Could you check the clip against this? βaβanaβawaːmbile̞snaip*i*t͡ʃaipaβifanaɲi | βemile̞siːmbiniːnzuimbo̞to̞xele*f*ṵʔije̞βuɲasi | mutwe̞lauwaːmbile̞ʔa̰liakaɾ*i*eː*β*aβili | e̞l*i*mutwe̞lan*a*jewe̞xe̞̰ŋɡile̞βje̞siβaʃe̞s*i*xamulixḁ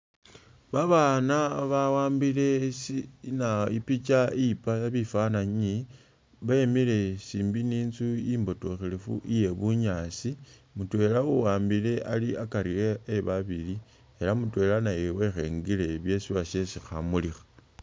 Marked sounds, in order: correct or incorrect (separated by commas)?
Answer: correct, correct, correct, correct, incorrect, correct, correct